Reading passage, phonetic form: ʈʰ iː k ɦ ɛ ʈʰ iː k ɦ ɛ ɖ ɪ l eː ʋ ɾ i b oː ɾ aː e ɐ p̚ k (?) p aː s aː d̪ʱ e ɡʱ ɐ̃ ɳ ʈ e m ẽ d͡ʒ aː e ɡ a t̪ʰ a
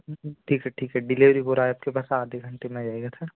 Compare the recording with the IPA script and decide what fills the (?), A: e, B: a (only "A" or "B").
A